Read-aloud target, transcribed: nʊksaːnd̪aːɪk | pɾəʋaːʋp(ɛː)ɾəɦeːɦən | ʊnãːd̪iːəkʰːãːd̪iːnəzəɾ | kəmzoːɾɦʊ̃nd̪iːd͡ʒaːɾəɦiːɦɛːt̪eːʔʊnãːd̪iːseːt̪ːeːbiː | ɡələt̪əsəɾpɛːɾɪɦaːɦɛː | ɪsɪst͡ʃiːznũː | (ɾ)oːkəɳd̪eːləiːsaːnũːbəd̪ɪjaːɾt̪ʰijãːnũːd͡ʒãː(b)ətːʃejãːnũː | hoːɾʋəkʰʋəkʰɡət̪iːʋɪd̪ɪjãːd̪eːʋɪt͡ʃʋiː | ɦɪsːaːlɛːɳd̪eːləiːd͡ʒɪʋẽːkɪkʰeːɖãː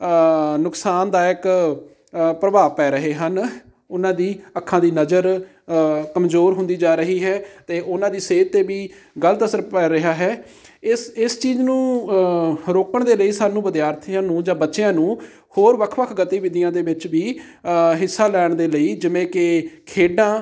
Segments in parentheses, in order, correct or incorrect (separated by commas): correct, correct, correct